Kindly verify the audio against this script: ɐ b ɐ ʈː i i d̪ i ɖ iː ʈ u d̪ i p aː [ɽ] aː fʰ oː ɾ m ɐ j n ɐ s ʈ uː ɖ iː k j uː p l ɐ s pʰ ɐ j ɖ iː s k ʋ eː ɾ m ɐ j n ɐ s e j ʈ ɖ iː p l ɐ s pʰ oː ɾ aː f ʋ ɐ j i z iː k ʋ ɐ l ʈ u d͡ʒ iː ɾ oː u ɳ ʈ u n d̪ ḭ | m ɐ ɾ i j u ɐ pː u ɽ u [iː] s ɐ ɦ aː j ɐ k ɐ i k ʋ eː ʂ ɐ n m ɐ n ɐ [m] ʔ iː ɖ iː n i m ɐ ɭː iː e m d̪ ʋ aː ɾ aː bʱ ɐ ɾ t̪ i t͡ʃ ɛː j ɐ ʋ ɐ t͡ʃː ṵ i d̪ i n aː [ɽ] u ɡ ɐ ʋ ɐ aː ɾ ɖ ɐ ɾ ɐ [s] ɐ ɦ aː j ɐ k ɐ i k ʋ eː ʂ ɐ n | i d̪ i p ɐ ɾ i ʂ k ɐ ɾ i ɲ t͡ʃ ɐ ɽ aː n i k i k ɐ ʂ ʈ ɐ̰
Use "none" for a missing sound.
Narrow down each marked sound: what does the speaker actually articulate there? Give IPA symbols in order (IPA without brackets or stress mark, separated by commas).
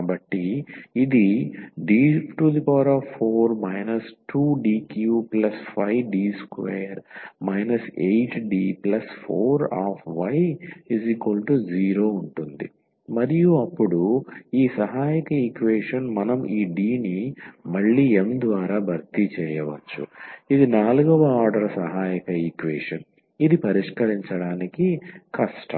ɾ, iː, m, l, s